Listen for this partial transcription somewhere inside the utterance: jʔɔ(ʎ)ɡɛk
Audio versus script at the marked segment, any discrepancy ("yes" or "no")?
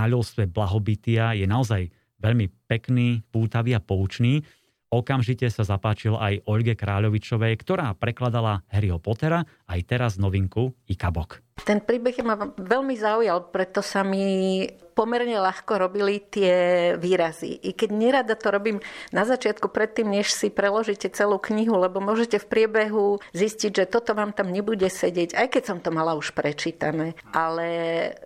no